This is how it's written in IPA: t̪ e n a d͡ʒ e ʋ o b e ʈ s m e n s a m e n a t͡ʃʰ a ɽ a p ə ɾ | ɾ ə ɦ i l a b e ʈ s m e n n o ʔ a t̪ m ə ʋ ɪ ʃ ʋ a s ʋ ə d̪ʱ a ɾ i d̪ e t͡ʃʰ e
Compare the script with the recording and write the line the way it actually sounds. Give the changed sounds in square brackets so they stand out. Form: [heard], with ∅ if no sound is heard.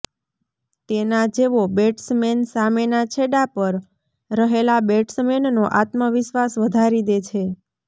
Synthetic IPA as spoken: t̪ e n a d͡ʒ e ʋ o b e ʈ s m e n s a m e n a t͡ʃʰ [e] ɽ a p ə ɾ | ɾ ə ɦ [e] l a b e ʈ s m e n n o ʔ a t̪ m ə ʋ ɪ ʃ ʋ a s ʋ ə d̪ʱ a ɾ i d̪ e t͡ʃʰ e